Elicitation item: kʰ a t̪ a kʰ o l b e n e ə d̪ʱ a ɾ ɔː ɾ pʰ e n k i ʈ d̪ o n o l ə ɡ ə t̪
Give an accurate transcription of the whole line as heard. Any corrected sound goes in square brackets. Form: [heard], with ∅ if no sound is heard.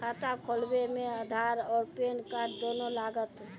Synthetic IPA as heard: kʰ a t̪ a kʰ o l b e [m] e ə d̪ʱ a ɾ ɔː ɾ [p] e n k [a] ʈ d̪ o n o l [a] ɡ ə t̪